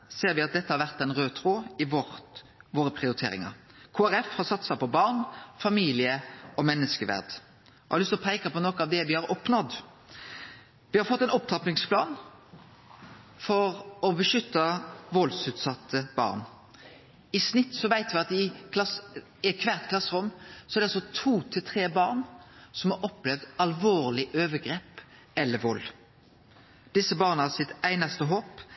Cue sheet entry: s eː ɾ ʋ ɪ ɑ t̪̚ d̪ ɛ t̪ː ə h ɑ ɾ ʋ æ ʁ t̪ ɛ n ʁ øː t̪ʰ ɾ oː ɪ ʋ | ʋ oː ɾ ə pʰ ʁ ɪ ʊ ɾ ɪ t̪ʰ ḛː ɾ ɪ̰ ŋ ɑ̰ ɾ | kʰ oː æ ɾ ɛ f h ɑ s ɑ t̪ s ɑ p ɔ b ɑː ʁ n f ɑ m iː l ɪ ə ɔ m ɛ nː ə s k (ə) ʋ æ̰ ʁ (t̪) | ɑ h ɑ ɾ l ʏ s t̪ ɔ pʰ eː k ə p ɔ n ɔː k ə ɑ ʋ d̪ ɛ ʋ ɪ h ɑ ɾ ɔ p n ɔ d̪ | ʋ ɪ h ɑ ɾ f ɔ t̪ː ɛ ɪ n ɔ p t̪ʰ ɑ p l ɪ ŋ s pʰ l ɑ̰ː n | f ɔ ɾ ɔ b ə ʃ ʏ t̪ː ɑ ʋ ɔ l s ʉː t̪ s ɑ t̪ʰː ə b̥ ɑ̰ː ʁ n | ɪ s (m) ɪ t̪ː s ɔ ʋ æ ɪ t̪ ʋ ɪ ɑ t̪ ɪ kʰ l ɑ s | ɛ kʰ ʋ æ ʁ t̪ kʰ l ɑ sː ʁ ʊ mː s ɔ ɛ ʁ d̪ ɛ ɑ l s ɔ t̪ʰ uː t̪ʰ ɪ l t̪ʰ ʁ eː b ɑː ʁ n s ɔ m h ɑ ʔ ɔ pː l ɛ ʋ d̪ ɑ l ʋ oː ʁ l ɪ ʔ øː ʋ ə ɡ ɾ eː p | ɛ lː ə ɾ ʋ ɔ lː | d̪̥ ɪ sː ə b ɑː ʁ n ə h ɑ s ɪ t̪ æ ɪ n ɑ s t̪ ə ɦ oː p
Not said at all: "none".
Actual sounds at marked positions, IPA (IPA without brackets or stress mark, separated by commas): ə, d̪, n